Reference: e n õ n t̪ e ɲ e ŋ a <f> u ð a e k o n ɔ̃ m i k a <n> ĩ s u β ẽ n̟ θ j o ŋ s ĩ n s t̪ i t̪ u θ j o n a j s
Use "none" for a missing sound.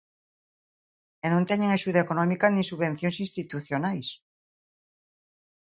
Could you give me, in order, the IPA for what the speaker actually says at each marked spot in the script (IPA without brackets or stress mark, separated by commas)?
ʃ, n